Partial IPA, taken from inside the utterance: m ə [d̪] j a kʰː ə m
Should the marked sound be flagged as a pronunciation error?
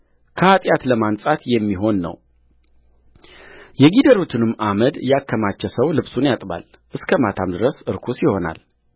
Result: no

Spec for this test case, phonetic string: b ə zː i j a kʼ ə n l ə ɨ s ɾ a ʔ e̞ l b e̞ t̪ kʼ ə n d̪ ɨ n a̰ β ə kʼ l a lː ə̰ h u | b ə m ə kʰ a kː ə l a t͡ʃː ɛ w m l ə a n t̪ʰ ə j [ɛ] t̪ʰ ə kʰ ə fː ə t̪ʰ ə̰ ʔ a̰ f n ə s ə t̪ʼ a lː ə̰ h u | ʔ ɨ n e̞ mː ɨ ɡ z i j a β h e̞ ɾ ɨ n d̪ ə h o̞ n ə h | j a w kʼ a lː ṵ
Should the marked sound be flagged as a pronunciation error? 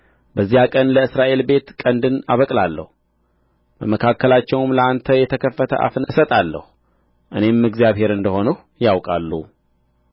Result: no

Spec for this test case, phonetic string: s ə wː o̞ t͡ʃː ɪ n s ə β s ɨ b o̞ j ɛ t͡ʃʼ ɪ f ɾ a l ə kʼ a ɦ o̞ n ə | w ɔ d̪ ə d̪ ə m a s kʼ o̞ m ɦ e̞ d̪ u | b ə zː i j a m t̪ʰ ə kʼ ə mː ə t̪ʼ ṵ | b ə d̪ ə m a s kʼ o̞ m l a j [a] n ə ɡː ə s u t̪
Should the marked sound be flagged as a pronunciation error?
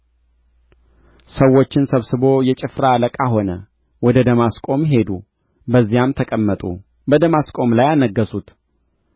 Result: no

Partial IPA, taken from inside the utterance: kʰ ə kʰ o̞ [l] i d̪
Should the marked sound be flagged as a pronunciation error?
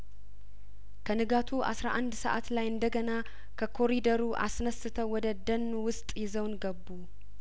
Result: yes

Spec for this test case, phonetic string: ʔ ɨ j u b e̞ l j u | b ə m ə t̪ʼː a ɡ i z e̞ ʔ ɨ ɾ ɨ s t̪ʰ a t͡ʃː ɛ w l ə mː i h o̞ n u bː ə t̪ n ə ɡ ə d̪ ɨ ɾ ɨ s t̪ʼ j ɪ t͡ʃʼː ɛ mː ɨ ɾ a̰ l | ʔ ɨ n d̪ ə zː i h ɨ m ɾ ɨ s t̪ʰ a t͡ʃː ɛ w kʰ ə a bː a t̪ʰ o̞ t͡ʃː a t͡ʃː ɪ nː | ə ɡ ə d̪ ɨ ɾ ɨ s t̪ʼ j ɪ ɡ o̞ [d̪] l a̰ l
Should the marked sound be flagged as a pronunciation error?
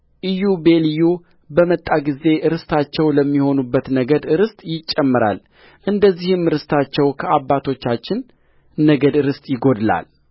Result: no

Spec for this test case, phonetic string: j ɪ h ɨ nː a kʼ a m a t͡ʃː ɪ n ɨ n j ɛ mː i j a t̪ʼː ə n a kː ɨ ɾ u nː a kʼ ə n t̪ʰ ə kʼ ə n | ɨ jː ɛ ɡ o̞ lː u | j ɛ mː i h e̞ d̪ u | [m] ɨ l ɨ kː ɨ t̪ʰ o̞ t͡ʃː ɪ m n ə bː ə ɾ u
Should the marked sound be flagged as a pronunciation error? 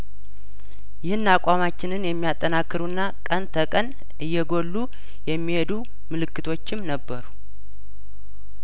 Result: no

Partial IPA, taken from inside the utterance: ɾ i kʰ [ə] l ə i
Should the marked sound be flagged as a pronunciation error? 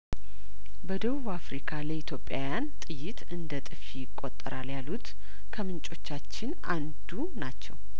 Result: yes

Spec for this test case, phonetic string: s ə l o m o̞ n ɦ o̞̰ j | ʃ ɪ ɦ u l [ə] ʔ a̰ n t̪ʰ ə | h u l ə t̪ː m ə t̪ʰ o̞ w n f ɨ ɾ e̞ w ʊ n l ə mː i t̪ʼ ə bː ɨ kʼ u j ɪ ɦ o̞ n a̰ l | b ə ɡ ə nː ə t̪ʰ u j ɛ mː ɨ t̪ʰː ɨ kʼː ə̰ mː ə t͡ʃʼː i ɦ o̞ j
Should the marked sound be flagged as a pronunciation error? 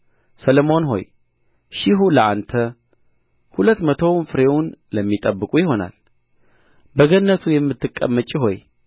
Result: no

